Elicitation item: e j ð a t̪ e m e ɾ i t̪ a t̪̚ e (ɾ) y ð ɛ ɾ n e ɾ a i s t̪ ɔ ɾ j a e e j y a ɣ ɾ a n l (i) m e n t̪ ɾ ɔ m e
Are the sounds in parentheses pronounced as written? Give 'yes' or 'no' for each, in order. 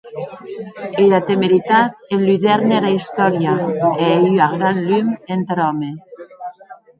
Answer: no, no

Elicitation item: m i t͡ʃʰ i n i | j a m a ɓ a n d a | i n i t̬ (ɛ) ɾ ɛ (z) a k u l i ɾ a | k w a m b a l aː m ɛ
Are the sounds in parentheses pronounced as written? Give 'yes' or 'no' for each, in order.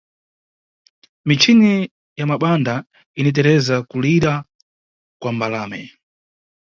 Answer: yes, yes

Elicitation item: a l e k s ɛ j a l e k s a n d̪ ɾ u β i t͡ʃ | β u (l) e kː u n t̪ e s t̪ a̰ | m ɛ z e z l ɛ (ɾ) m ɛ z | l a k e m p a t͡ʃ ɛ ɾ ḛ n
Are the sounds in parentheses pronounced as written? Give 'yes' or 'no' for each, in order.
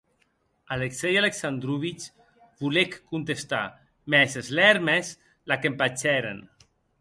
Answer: yes, yes

